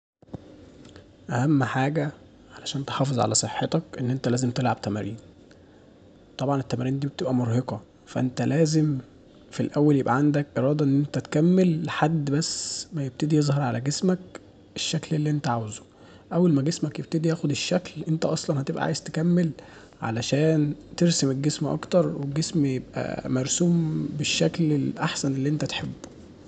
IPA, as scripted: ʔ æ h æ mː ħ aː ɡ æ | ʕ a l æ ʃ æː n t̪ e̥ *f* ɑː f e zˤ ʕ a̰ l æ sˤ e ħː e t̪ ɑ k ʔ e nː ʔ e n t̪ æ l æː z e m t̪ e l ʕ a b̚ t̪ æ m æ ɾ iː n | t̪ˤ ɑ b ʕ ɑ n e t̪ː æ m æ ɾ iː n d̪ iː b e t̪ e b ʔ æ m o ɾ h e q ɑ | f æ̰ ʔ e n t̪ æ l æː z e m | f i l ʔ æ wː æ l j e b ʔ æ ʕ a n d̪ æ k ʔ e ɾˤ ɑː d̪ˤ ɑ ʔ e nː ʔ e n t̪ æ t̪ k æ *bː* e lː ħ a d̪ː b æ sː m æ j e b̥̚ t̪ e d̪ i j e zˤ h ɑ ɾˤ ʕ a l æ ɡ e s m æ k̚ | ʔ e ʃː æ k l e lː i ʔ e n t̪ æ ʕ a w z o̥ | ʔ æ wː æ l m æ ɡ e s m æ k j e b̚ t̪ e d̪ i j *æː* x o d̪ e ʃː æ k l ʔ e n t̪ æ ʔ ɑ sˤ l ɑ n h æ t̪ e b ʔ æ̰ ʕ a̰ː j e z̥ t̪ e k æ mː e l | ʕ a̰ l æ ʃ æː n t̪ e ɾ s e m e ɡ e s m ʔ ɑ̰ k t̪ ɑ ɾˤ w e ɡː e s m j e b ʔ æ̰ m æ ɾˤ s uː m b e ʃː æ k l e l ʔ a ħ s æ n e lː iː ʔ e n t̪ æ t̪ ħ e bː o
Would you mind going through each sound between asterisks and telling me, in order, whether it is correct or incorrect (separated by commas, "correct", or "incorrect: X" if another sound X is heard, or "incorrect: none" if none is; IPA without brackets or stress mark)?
incorrect: ħ, incorrect: mː, correct